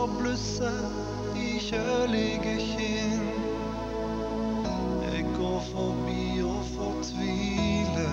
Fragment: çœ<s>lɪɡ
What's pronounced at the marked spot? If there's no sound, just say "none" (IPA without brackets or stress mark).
none